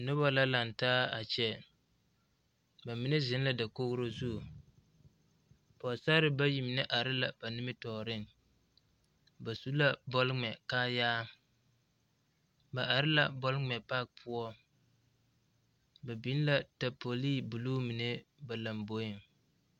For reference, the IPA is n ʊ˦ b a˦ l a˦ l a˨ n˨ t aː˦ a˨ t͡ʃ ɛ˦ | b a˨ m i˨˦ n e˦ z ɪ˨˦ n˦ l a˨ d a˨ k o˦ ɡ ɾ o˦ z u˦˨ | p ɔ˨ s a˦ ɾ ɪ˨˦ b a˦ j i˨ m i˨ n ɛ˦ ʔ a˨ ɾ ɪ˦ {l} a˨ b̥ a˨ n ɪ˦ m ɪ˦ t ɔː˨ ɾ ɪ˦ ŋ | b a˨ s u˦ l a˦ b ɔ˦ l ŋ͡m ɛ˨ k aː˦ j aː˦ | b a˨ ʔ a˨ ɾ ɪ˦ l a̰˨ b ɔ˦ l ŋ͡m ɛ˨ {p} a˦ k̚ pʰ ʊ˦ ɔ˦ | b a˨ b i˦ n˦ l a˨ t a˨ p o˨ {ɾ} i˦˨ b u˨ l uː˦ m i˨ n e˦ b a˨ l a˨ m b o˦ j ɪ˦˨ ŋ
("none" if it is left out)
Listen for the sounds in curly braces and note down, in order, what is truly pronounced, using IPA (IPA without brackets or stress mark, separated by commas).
l, p, l